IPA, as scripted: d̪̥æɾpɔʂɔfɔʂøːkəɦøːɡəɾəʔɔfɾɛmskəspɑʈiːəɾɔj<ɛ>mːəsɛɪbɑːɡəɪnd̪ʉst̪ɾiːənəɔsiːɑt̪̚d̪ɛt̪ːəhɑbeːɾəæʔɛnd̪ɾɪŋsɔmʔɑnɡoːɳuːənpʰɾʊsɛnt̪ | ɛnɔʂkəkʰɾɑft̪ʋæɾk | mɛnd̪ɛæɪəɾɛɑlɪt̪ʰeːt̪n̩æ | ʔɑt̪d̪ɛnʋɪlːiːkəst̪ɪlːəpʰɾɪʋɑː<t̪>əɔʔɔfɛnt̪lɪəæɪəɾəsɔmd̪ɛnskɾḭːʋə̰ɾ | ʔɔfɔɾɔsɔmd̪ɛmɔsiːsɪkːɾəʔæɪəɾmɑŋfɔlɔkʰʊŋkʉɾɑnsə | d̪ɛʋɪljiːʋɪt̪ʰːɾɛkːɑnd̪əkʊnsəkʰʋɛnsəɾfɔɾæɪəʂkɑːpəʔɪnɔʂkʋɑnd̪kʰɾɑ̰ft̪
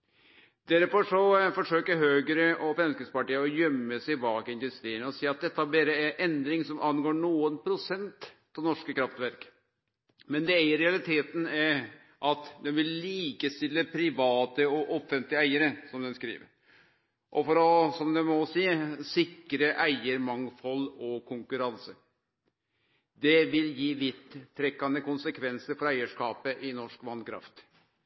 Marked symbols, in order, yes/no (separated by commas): no, yes